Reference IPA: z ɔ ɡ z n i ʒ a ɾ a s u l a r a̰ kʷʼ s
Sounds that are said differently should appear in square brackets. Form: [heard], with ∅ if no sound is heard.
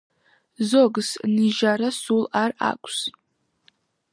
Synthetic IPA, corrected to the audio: z [o] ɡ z n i ʒ a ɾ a s u l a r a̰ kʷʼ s